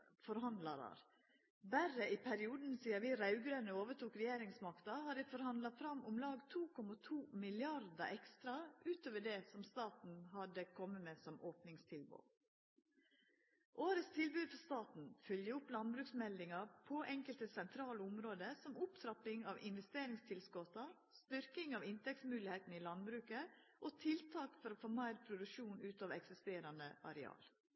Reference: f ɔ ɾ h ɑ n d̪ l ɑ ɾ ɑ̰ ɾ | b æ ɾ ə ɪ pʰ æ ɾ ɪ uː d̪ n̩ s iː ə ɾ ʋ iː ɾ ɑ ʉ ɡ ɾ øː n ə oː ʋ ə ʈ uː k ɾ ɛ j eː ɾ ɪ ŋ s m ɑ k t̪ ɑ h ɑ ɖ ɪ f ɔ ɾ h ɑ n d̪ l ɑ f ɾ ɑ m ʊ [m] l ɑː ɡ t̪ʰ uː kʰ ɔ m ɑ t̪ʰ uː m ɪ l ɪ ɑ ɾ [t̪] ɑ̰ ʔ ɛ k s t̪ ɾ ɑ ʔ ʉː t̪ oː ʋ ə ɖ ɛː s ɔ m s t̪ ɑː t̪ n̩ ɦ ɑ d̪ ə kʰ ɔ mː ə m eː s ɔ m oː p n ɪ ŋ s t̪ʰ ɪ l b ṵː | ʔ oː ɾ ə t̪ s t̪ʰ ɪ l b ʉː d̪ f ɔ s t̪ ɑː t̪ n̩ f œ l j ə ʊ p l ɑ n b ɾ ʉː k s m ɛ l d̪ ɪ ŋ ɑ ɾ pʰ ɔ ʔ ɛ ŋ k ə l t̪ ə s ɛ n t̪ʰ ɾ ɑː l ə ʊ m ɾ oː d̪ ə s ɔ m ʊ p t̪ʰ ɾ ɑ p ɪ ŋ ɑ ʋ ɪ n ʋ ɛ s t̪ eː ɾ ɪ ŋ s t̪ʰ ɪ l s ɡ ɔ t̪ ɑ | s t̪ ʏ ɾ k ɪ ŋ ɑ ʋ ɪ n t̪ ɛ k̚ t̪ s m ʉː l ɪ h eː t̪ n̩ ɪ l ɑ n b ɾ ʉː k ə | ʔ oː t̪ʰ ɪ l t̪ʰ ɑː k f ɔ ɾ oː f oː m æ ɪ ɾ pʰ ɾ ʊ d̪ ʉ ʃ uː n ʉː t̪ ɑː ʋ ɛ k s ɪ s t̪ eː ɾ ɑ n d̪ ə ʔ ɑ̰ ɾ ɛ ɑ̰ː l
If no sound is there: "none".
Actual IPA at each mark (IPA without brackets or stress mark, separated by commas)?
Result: m, d̪